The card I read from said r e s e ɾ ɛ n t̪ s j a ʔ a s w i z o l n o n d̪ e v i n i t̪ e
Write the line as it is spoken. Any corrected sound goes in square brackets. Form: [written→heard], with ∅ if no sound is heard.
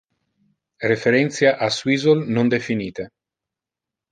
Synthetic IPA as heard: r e [s→f] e ɾ ɛ n t̪ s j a ʔ a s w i z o l n o n d̪ e [v→f] i n [i→iː] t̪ e